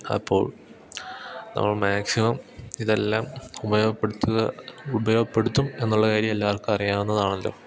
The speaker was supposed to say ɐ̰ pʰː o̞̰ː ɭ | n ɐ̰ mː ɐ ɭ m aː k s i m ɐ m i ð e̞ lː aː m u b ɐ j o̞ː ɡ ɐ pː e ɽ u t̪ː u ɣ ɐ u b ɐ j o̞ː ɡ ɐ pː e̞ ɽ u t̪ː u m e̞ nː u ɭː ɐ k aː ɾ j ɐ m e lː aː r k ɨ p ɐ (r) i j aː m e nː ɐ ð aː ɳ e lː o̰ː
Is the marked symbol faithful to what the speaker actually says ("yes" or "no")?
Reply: yes